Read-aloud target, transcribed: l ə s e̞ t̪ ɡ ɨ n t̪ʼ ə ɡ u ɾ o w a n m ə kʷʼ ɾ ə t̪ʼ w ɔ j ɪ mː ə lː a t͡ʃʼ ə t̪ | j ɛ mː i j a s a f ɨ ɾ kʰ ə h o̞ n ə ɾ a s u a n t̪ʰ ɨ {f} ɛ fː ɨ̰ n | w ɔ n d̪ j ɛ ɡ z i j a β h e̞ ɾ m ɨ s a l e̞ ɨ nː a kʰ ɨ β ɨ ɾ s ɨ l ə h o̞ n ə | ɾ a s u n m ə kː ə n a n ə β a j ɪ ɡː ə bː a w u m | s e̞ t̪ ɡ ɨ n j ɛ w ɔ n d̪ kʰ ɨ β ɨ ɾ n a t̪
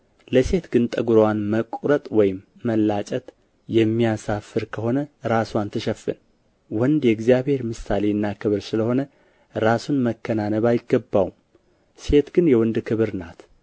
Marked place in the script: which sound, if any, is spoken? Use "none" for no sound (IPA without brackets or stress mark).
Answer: ʃ